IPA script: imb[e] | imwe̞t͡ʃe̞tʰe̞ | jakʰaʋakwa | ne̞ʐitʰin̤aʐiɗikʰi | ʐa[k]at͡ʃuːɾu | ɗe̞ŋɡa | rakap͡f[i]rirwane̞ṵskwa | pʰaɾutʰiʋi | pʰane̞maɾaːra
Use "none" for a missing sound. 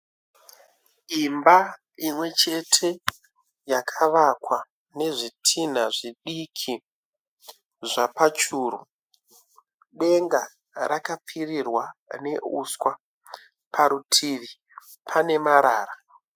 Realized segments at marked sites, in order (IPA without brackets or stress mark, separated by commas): a, p, i